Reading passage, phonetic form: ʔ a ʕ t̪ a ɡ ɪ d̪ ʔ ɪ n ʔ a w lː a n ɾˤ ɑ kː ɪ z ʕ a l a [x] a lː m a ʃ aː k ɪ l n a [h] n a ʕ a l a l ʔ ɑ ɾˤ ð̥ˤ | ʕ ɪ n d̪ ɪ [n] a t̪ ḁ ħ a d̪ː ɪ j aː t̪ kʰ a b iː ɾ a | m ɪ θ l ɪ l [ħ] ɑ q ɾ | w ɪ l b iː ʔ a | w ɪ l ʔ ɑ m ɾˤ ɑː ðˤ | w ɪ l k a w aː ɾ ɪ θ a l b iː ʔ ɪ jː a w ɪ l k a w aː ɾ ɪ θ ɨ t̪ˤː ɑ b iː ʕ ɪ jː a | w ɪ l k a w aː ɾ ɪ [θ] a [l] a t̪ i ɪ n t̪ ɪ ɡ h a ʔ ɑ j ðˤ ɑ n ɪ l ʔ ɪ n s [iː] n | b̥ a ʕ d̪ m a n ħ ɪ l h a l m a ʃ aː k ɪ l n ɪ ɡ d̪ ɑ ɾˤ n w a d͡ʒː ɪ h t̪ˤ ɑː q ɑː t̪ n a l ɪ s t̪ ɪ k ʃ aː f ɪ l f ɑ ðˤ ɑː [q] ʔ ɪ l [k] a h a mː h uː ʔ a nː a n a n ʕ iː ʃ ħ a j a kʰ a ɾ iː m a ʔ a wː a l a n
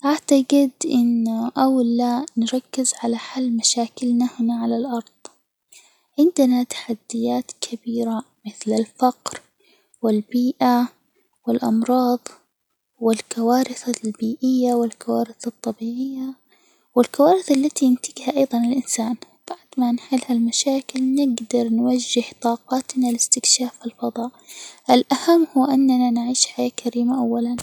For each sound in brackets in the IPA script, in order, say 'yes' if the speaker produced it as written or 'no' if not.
no, yes, yes, no, yes, no, no, no, no

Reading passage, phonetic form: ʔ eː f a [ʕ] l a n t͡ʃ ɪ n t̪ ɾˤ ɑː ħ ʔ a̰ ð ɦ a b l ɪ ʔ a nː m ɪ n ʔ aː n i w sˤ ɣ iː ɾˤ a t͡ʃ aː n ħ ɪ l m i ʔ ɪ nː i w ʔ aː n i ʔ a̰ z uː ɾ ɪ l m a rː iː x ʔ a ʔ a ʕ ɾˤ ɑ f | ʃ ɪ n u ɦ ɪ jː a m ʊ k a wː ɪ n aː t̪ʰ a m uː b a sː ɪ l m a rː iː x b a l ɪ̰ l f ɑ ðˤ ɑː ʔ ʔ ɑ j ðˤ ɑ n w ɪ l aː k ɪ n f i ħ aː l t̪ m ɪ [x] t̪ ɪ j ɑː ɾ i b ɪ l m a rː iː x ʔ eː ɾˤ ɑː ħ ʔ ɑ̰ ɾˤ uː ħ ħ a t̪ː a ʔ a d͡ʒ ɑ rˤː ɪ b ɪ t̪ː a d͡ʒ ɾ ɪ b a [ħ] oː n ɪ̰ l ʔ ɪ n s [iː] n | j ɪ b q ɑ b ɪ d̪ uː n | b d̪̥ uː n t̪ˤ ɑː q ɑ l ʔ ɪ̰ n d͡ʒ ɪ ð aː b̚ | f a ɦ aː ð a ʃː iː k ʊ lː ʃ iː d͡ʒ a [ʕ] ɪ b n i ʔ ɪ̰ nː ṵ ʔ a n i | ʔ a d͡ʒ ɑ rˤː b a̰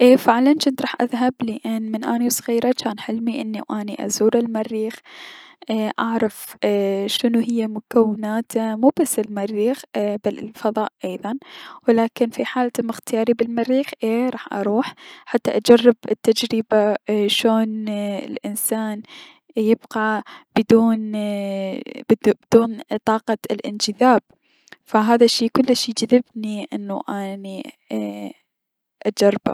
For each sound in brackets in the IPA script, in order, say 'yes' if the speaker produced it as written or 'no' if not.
yes, yes, no, no, no

